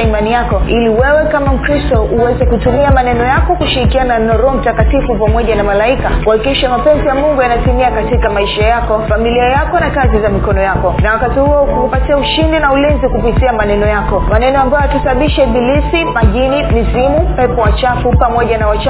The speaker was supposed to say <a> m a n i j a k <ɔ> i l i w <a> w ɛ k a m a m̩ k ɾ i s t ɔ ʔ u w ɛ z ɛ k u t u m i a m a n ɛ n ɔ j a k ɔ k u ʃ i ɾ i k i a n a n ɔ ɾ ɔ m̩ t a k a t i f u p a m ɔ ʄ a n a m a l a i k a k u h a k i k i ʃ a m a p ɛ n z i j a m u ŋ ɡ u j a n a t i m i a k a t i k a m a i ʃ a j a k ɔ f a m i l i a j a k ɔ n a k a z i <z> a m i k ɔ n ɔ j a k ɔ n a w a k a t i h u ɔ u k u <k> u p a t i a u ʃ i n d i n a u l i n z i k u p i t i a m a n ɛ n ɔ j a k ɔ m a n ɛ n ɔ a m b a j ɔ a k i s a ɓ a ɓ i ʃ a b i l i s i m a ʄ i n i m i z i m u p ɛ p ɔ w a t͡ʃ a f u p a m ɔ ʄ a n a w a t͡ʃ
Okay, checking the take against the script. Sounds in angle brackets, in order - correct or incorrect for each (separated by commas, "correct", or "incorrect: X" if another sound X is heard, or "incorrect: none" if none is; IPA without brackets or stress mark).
incorrect: i, correct, incorrect: ɛ, correct, correct